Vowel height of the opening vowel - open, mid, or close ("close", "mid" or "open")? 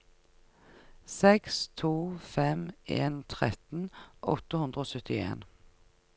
mid